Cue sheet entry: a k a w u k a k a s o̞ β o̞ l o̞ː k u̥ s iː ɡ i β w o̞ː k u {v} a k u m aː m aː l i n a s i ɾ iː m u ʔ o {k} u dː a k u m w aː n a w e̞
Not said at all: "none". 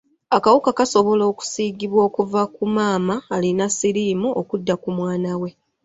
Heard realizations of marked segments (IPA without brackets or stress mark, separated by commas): v, k